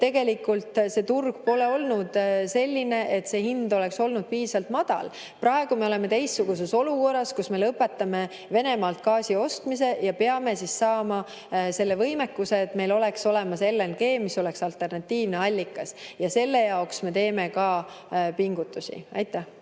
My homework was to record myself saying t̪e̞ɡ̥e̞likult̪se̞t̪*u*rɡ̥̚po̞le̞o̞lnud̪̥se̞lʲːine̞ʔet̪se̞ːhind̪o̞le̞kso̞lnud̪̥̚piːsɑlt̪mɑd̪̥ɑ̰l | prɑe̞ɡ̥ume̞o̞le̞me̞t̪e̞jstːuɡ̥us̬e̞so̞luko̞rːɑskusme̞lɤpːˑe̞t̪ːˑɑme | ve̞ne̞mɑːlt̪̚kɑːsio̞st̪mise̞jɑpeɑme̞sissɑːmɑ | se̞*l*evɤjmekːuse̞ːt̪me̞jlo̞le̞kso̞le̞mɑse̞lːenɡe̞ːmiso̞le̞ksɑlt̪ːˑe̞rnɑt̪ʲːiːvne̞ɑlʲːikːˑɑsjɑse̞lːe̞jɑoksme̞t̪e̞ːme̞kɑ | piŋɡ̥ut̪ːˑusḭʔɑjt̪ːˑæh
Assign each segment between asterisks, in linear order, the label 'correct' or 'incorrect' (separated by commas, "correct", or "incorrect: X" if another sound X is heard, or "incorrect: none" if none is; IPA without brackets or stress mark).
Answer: correct, incorrect: lː